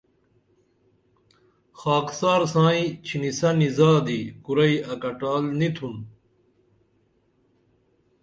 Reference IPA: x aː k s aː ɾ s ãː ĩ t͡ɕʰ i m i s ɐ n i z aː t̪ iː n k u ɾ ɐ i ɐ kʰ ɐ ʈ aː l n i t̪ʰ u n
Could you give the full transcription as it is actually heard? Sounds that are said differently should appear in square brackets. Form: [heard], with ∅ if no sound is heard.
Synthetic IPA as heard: x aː k s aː ɾ s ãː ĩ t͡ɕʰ i [n] i s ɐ n i z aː [d̪] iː [∅] k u ɾ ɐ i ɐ [k] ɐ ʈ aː l n i t̪ʰ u n